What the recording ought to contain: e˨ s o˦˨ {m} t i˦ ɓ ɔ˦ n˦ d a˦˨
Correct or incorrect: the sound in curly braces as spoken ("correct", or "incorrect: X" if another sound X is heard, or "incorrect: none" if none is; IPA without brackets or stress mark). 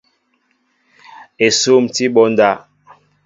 correct